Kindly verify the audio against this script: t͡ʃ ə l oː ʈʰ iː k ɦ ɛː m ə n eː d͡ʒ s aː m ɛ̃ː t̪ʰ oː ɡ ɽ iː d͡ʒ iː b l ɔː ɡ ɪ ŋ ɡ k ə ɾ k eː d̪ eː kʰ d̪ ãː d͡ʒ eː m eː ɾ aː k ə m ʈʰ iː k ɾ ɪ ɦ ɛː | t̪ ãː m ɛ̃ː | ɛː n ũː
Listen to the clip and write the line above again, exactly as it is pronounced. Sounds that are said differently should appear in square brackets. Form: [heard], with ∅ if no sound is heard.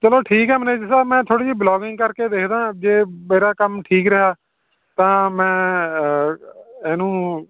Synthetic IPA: t͡ʃ ə l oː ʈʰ iː k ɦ ɛː m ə n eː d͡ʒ s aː m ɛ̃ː t̪ʰ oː [∅] ɽ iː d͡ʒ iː b l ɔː ɡ ɪ ŋ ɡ k ə ɾ k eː d̪ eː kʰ d̪ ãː d͡ʒ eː m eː ɾ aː k ə m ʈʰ iː k ɾ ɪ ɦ [aː] | t̪ ãː m ɛ̃ː | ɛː n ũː

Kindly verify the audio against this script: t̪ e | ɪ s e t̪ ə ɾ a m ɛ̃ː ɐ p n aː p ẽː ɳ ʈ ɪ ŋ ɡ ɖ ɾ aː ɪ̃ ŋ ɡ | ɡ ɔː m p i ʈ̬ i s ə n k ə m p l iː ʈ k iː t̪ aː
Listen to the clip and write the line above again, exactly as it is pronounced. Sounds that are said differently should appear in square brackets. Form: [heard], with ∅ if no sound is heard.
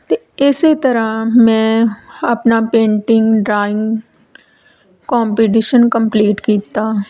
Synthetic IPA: t̪ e | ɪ s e t̪ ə ɾ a m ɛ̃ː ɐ p n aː p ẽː ɳ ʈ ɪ ŋ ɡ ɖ ɾ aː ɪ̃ ŋ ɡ | [k] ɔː m p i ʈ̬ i [ʃ] ə n k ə m p l iː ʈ k iː t̪ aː

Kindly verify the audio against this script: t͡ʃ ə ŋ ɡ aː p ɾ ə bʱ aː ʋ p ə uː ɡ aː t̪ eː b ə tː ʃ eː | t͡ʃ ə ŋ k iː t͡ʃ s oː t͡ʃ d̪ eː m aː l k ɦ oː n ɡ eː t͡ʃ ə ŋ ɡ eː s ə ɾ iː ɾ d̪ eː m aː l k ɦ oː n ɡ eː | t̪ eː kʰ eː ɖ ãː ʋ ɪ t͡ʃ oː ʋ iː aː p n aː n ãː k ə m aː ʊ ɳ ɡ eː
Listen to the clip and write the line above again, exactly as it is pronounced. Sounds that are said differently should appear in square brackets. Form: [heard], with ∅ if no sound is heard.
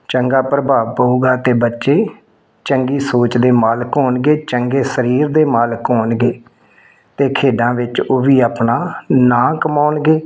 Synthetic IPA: t͡ʃ ə ŋ ɡ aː p ɾ ə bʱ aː ʋ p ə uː ɡ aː t̪ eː b ə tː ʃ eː | t͡ʃ ə ŋ [ɡ] iː [∅] s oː t͡ʃ d̪ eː m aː l k ɦ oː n ɡ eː t͡ʃ ə ŋ ɡ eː s ə ɾ iː ɾ d̪ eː m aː l k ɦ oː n ɡ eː | t̪ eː kʰ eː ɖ ãː ʋ ɪ t͡ʃ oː ʋ iː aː p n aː n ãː k ə m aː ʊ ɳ ɡ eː

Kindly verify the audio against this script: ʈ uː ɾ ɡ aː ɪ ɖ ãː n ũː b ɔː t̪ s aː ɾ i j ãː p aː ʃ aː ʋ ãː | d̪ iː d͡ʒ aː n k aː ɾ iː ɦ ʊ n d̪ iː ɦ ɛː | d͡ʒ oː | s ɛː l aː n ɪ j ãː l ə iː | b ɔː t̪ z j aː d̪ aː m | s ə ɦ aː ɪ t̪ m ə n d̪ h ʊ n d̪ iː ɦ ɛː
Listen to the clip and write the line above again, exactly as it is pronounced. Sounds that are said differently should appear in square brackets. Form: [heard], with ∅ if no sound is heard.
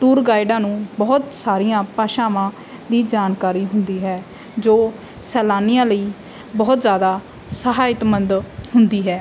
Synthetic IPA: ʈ uː ɾ ɡ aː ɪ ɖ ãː n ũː b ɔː t̪ s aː ɾ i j ãː p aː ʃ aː ʋ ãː | d̪ iː d͡ʒ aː n k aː ɾ iː ɦ ʊ n d̪ iː ɦ ɛː | d͡ʒ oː | s ɛː l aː n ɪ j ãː l ə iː | b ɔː t̪ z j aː d̪ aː [∅] | s ə ɦ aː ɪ t̪ m ə n d̪ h ʊ n d̪ iː ɦ ɛː

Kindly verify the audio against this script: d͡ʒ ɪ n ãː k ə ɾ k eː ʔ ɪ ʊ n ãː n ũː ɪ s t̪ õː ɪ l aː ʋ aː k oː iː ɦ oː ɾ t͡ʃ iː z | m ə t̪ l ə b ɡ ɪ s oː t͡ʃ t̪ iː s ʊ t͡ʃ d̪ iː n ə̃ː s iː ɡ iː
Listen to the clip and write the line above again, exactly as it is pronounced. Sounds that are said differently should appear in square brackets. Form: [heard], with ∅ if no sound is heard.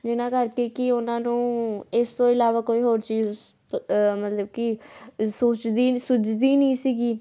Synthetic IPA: d͡ʒ ɪ n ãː k ə ɾ k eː [k] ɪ ʊ n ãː n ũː ɪ s t̪ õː ɪ l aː ʋ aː k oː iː ɦ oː ɾ t͡ʃ iː z | m ə t̪ l ə b [k] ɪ s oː t͡ʃ [d̪] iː s ʊ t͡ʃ d̪ iː n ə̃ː s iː ɡ iː

